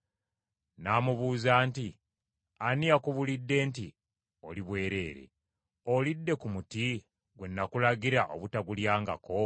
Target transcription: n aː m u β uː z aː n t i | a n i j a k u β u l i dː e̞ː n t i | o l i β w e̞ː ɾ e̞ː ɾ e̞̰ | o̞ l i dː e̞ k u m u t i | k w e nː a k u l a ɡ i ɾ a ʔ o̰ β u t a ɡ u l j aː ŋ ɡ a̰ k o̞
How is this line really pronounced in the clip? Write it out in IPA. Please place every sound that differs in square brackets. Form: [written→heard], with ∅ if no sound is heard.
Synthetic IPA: n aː m u β uː z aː n t i | a n i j a k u β u l i dː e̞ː n t i | o l i β w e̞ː ɾ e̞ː ɾ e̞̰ | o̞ l i dː e̞ k u m u t i | [k→ɡ] w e nː a k u l a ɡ i ɾ a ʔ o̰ β u t a ɡ u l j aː ŋ ɡ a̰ k o̞